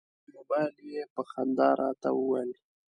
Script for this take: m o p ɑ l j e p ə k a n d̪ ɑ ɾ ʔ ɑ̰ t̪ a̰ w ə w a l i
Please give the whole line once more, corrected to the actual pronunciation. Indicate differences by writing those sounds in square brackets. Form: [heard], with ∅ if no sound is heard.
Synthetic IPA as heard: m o [b] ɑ l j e p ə [x] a n d̪ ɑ ɾ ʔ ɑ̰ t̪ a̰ w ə w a l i

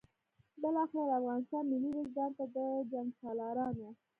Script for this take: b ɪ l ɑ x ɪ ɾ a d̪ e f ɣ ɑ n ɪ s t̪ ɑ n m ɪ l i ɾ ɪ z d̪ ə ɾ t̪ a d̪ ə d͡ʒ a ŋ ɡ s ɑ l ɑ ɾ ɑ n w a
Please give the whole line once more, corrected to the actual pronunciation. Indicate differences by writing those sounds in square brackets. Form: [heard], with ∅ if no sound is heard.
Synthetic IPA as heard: b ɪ l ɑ x ɪ ɾ a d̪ [a] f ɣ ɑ n ɪ s t̪ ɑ n m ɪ l i ɾ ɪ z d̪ [ɑ] ɾ t̪ a d̪ ə d͡ʒ a ŋ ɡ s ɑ l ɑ ɾ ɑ n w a

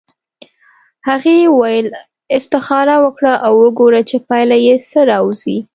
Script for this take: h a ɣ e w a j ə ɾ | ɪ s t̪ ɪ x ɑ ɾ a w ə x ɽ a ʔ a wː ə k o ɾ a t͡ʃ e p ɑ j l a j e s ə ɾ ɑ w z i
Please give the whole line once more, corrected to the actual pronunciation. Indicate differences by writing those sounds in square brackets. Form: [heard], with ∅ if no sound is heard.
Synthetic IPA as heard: h a ɣ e w a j ə [l] | ɪ s t̪ ɪ x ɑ ɾ a w ə [k] ɽ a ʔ a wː ə [ɡ] o ɾ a t͡ʃ e p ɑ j l a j e s ə ɾ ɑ w z i

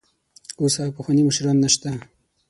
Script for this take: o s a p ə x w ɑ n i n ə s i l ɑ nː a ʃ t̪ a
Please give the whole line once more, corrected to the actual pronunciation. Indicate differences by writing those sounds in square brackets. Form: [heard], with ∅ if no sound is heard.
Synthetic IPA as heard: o s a p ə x w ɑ n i [m] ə [ʃ] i [ɾ] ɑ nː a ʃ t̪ a

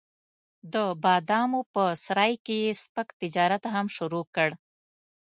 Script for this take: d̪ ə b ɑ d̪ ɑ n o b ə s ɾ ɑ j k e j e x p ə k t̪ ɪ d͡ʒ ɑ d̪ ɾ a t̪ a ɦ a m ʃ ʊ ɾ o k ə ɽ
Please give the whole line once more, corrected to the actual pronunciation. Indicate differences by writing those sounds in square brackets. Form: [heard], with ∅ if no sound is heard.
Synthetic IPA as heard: d̪ ə b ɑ d̪ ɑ [m] o [p] ə s ɾ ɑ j k e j e [s] p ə k t̪ ɪ d͡ʒ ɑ [∅] ɾ a t̪ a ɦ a m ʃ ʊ ɾ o k ə ɽ

